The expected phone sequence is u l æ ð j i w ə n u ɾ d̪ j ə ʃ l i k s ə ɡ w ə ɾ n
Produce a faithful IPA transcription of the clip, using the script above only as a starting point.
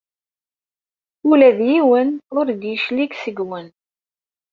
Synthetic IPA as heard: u l æ ð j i w ə n ʊ ɾ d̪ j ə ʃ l i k s ə ɡ w ə n